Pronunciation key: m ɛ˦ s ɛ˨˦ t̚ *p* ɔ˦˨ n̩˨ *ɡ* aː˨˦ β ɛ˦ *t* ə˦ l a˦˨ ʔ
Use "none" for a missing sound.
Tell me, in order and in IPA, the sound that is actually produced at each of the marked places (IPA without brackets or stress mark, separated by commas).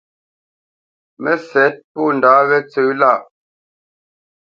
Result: p, d, t͡s